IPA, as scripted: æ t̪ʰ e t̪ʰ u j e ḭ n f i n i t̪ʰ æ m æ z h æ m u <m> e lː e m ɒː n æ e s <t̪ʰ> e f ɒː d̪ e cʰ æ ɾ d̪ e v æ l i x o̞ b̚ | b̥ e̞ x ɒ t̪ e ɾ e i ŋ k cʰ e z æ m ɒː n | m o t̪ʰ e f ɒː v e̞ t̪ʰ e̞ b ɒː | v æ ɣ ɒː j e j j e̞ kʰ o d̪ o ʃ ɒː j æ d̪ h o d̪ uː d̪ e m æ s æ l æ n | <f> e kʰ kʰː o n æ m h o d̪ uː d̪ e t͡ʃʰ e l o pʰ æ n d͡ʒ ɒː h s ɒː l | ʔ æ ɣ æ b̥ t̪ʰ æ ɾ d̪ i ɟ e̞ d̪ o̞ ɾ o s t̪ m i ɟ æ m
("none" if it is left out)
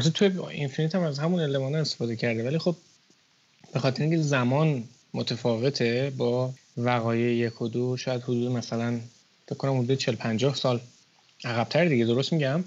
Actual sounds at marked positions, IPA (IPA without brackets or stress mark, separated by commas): n, t̪, f